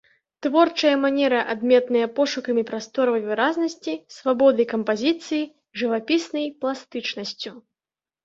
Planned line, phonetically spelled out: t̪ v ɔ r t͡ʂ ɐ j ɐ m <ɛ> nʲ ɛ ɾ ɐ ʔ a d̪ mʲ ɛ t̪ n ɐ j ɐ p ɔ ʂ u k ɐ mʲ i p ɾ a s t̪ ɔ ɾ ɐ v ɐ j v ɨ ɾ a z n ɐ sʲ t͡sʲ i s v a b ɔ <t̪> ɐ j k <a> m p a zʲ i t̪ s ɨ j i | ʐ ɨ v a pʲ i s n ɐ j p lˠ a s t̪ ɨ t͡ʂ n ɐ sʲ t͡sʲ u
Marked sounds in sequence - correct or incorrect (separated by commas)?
incorrect, incorrect, incorrect